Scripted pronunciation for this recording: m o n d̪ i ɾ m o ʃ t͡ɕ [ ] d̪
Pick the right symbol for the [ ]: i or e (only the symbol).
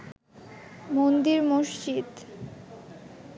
i